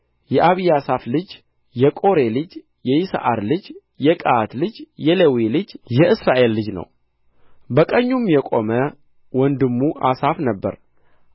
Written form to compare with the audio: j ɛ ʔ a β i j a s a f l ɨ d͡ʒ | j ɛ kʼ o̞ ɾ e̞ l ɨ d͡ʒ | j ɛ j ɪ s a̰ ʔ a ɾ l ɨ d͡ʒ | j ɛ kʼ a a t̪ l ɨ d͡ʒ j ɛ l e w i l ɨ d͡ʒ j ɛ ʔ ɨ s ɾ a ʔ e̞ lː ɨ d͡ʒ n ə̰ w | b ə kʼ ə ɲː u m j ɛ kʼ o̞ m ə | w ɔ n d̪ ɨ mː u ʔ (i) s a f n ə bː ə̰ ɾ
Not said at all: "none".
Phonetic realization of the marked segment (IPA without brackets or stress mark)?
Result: a